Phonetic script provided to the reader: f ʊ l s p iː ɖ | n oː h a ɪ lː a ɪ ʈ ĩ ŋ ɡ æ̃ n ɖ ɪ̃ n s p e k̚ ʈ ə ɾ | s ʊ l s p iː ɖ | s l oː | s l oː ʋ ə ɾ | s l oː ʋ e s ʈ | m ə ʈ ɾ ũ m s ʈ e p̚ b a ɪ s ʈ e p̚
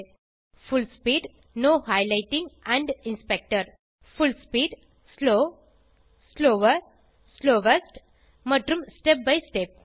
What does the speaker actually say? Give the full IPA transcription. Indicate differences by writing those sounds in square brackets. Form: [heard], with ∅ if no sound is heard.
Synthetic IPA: f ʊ l s p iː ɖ | n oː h a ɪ [l] a ɪ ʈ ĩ ŋ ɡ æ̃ [ɳ] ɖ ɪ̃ n s p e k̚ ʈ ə ɾ | [f] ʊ l s p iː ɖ | s l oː | s l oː ʋ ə ɾ | s l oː ʋ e s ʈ | m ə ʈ ɾ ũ m s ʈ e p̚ b a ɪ s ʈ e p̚

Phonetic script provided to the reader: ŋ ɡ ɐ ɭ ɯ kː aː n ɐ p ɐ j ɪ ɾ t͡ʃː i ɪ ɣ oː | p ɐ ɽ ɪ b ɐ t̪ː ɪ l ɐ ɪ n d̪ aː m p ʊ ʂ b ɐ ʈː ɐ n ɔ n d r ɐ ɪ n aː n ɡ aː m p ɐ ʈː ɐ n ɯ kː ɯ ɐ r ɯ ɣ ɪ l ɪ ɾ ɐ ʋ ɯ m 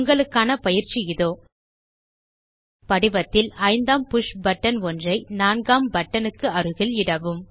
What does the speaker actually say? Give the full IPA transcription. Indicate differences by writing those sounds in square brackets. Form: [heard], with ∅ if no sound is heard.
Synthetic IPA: ŋ ɡ ɐ ɭ ɯ kː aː n ɐ p ɐ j ɪ ɾ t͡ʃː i ɪ [ð] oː | p ɐ ɽ ɪ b ɐ t̪ː ɪ l ɐ ɪ n d̪ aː m p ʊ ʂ b ɐ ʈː ɐ n ɔ n d r ɐ ɪ n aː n ɡ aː m [b] ɐ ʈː ɐ n ɯ kː ɯ ɐ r ɯ ɣ ɪ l ɪ [ɽ] ɐ ʋ ɯ m

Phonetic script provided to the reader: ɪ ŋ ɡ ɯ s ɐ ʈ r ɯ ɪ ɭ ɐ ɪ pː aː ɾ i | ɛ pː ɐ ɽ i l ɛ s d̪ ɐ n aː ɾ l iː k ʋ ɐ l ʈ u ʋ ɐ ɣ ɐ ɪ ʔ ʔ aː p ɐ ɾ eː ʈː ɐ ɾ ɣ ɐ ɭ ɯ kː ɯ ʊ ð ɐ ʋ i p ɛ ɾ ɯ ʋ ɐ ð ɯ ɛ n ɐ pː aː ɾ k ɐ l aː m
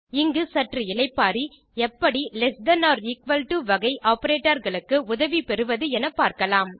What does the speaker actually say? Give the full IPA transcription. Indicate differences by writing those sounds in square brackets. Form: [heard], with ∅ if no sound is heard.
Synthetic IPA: ɪ ŋ ɡ ɯ s ɐ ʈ r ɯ ɪ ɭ ɐ ɪ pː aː ɾ i | ɛ pː ɐ ɽ i l ɛ s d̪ ɐ n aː ɾ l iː k ʋ ɐ l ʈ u ʋ ɐ ɣ ɐ ɪ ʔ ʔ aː p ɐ ɾ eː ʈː ɐ ɾ ɣ ɐ ɭ ɯ kː ɯ ʊ ð ɐ ʋ i p ɛ ɾ ɯ ʋ ɐ ð ɯ ɛ n ɐ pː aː ɾ k ɐ l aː m

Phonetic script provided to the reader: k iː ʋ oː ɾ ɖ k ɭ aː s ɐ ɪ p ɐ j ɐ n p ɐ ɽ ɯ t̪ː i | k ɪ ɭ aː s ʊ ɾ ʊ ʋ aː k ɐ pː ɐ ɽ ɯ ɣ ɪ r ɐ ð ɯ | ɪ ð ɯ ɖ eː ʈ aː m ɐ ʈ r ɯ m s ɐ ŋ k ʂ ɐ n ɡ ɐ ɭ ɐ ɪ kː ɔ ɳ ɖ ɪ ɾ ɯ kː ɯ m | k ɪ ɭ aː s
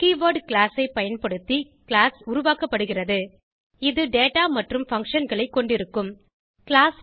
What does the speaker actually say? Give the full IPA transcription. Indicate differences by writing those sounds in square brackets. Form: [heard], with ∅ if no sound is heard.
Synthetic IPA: k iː ʋ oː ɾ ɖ k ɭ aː s ɐ ɪ p ɐ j ɐ n p ɐ ɽ ɯ t̪ː i | k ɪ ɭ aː s ʊ ɾ ʊ ʋ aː k ɐ pː ɐ ɽ ɯ ɣ ɪ r ɐ ð ɯ | ɪ ð ɯ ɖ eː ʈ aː m ɐ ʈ r ɯ m [f] ɐ ŋ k ʂ ɐ n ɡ ɐ ɭ ɐ ɪ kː ɔ ɳ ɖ ɪ ɾ ɯ kː ɯ m | k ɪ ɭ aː s

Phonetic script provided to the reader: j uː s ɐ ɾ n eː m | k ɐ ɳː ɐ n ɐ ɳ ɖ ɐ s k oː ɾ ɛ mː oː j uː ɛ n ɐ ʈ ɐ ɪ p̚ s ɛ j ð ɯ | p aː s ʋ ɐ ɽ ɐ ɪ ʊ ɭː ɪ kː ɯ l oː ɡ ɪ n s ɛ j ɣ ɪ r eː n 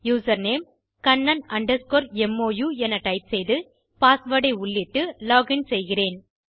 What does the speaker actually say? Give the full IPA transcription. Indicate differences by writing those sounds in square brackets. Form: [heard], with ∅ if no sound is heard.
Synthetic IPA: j uː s ɐ ɾ n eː m | k ɐ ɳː ɐ n ɐ ɳ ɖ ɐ s k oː ɾ ɛ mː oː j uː ɛ n ɐ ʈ ɐ ɪ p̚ s ɛ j ð ɯ | p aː s ʋ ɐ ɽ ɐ ɪ ʊ ɭː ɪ [ʈː] ɯ l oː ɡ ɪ n s ɛ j ɣ ɪ r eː n

